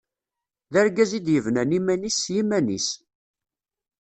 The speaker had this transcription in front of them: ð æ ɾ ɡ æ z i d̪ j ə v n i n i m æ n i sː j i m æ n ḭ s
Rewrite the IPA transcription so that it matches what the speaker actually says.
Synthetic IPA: ð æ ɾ ɡ æ z i d̪ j ə v n æ n i m æ n i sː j i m æ n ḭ s